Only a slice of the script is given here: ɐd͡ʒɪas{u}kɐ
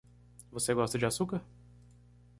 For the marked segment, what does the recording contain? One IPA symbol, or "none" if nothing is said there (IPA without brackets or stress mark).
u